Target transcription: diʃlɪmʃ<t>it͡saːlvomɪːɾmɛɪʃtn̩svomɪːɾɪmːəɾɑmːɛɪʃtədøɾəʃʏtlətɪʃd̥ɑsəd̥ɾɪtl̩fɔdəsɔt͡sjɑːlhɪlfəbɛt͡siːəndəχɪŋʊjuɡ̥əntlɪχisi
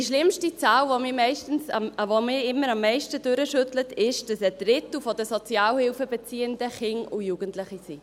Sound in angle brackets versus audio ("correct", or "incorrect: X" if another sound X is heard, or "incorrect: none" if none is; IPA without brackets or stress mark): correct